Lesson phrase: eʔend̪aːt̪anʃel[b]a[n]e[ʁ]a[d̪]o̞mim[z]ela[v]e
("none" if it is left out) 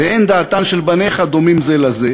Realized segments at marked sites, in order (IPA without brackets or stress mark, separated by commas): b, n, χ, d̪, z, z